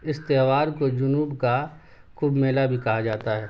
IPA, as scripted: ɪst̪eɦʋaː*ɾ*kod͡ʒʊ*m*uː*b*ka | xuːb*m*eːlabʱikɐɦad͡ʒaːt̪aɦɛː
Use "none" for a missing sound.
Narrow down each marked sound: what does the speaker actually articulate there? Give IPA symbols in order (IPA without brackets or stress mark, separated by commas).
ɾ, n, b, m